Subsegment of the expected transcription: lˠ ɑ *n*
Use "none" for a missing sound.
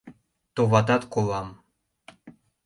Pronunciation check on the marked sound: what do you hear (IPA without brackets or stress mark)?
m